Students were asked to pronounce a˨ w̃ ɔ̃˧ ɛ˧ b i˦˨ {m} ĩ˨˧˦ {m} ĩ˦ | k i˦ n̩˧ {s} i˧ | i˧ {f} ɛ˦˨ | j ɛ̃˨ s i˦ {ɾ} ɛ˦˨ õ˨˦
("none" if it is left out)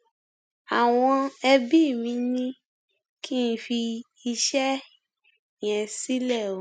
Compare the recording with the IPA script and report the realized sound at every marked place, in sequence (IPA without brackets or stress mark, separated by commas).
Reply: m, n, f, ʃ, l